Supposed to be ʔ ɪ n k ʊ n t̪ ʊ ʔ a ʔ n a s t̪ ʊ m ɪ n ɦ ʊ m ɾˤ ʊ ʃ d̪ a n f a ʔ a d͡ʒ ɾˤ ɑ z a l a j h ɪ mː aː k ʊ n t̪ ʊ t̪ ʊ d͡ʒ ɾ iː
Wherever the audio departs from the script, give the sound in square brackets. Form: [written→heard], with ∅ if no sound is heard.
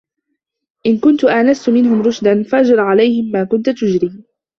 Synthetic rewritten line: ʔ ɪ n k ʊ n t̪ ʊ ʔ a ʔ n a s t̪ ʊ m ɪ n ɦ ʊ m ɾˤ ʊ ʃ d̪ a n f a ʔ a d͡ʒ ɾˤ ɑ [z→ʕ] a l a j h ɪ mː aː k ʊ n t̪ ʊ t̪ ʊ d͡ʒ ɾ iː